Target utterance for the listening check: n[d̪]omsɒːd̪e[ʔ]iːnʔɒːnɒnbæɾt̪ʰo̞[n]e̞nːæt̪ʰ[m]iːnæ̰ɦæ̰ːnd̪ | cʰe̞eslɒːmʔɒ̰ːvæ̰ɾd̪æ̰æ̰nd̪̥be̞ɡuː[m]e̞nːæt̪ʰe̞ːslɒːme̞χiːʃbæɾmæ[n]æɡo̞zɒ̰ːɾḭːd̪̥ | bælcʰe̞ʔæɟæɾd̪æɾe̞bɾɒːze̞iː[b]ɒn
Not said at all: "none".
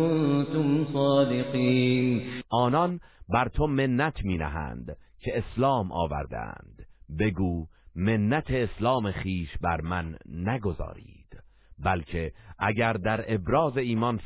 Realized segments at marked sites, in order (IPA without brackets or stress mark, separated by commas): t̪, q, m, m, m, nː, m